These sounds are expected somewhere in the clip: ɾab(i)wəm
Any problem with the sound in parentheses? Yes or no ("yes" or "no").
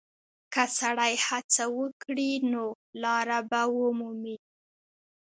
yes